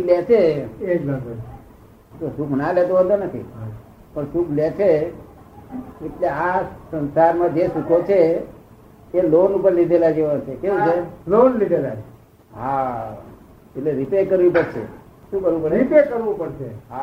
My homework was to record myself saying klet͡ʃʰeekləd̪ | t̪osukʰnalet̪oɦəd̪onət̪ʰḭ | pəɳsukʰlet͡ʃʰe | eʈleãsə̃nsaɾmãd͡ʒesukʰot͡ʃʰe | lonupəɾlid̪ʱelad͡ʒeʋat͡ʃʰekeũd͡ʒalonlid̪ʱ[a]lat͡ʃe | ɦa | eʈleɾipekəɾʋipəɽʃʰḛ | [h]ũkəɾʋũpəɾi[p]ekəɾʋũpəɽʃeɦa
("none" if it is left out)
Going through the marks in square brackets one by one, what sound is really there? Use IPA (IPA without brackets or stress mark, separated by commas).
e, ʃ, p